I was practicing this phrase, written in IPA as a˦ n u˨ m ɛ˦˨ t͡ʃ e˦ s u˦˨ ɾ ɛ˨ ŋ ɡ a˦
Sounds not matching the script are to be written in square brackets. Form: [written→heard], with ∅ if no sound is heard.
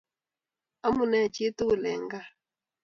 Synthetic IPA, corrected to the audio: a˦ [n→m] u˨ [m→n] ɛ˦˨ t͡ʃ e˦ [s→t] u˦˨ [ɾ→l] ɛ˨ ŋ ɡ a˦